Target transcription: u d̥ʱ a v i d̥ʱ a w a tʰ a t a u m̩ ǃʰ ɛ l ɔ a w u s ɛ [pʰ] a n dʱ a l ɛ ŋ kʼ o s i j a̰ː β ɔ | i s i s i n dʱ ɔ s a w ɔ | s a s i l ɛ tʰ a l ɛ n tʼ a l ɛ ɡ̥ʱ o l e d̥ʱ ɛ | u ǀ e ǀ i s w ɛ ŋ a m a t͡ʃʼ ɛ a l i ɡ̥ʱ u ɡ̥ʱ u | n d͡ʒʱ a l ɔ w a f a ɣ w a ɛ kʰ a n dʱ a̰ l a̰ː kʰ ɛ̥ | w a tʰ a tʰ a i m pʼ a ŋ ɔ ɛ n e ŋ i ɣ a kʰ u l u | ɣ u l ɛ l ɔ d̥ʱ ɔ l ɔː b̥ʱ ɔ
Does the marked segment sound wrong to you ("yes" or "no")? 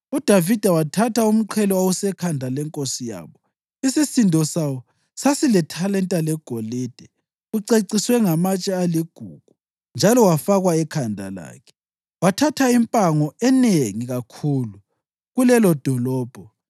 yes